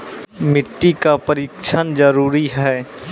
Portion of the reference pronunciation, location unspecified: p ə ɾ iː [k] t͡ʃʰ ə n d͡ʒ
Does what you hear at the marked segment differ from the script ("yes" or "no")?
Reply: no